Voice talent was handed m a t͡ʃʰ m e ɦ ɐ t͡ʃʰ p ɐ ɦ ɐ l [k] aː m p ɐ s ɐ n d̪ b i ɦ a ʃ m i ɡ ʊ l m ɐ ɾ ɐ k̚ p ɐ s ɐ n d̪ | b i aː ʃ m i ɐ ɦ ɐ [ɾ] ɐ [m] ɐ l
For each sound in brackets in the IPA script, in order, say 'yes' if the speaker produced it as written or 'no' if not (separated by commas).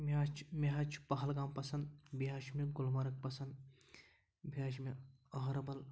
no, yes, no